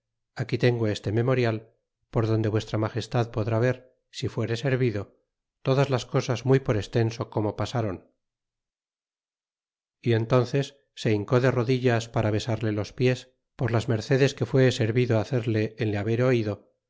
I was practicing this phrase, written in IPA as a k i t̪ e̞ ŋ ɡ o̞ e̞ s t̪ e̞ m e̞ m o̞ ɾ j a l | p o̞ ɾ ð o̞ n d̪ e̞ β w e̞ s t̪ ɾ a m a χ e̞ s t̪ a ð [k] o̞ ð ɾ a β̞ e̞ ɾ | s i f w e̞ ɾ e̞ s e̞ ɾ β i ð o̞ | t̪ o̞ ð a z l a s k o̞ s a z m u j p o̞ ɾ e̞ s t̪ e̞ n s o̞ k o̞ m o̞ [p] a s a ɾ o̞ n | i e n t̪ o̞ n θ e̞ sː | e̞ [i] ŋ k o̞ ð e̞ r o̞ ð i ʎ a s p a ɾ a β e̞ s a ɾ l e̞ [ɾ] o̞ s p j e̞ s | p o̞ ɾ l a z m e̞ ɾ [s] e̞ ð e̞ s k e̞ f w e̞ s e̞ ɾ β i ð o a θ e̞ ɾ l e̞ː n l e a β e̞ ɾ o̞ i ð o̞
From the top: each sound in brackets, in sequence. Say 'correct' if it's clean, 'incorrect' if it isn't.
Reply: incorrect: p, correct, correct, incorrect: l, incorrect: θ

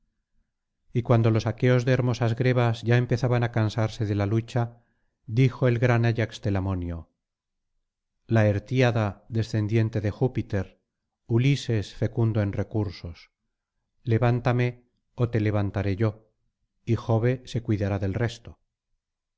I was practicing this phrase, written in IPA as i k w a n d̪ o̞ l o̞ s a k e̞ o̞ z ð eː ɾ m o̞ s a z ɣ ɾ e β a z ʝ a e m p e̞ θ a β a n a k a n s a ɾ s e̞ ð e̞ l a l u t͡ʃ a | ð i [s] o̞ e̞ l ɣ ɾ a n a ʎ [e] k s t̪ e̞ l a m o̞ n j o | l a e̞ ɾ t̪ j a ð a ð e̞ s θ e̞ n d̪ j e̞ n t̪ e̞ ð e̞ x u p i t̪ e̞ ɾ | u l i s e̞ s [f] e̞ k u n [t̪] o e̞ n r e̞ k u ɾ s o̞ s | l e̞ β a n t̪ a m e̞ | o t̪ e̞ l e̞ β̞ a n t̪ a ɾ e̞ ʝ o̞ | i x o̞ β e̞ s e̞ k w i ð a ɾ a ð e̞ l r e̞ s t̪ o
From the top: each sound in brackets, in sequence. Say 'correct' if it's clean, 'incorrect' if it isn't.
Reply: incorrect: x, incorrect: a, correct, incorrect: d̪

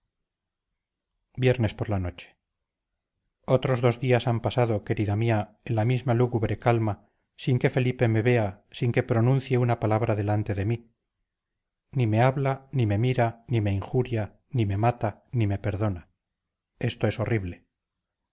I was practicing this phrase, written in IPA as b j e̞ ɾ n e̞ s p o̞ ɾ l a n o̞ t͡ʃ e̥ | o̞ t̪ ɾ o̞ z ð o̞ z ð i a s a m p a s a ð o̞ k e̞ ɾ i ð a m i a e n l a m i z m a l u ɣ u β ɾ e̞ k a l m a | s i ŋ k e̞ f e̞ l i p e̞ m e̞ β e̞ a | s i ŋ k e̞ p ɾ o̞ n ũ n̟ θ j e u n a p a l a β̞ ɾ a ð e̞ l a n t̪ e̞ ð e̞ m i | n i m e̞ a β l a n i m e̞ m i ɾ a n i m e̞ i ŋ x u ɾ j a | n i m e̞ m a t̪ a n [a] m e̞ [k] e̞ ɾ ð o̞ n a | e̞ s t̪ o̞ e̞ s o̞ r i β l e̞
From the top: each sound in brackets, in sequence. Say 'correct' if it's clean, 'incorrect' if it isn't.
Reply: incorrect: i, incorrect: p

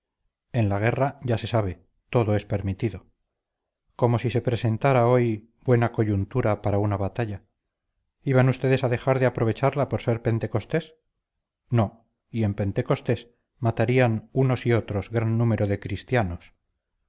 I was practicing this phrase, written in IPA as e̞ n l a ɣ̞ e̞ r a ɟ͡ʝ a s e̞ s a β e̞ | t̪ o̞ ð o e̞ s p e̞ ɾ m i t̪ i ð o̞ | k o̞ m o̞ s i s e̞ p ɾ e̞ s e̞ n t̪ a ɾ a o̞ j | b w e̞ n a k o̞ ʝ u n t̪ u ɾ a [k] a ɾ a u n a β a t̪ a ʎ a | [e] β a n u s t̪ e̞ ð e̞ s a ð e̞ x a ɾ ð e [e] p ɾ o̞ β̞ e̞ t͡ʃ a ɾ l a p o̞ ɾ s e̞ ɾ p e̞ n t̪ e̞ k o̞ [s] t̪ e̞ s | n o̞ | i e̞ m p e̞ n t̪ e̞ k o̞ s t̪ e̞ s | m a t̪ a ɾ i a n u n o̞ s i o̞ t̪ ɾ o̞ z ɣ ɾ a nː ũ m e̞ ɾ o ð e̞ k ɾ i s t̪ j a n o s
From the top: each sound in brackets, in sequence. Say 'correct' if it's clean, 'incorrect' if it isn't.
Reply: incorrect: p, incorrect: i, incorrect: a, correct

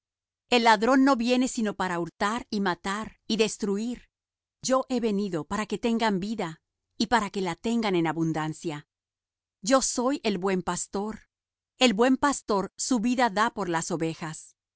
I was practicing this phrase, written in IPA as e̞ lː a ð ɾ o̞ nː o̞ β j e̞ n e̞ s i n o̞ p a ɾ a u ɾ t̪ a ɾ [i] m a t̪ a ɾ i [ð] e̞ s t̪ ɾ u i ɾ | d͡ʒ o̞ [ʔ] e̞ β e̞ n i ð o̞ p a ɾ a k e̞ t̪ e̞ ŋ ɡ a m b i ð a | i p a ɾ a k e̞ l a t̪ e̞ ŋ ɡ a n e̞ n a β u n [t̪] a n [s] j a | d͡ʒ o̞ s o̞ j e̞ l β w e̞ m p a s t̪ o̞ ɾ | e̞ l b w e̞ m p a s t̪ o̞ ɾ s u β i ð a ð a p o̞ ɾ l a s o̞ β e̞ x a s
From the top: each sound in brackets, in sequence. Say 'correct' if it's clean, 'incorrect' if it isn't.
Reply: correct, correct, correct, incorrect: d̪, correct

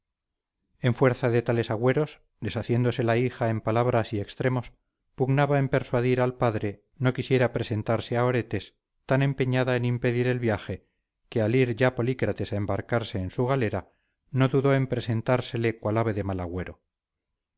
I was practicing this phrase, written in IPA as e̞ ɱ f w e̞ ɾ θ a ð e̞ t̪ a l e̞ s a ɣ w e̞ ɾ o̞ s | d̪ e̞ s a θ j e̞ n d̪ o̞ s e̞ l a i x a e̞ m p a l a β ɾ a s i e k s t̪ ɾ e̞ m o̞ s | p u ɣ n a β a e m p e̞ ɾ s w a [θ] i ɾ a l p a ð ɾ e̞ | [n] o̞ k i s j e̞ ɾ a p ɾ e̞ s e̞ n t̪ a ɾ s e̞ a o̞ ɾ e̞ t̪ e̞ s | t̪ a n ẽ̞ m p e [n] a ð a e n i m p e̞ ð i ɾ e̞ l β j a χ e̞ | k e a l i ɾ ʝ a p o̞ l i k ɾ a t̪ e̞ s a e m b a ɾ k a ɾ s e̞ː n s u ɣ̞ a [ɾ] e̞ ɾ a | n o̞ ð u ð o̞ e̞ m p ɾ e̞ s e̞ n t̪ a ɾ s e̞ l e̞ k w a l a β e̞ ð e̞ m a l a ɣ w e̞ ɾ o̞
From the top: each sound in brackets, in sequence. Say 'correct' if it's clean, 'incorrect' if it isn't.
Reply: incorrect: ð, correct, incorrect: ɲ, incorrect: l

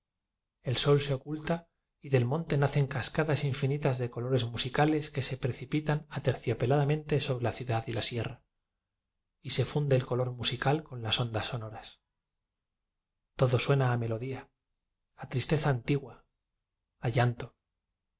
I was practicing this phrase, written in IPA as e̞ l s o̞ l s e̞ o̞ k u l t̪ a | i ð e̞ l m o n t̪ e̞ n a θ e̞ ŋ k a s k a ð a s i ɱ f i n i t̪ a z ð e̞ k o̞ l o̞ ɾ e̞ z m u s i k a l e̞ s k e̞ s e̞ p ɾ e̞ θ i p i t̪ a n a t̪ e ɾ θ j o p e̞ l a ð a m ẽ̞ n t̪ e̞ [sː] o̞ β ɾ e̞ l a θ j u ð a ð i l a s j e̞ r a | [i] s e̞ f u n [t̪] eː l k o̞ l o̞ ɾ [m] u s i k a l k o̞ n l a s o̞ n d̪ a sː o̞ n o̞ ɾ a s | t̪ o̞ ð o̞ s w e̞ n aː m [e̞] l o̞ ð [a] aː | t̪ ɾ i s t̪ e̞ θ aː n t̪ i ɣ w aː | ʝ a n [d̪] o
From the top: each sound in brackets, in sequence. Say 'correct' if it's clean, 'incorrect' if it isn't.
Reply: incorrect: s, correct, incorrect: d̪, correct, correct, incorrect: i, incorrect: t̪

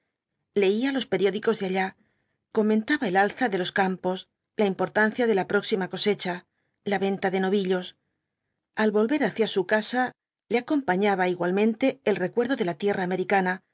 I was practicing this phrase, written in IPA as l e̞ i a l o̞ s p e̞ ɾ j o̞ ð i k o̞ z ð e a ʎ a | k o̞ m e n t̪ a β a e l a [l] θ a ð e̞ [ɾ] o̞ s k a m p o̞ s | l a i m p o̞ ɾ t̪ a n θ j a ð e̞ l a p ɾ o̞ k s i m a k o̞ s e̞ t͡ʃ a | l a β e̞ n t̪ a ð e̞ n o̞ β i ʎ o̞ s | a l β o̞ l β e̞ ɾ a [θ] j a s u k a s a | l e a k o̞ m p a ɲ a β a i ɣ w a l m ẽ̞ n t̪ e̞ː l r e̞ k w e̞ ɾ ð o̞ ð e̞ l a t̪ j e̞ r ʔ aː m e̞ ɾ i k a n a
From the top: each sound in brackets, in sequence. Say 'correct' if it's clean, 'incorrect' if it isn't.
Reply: correct, incorrect: l, correct

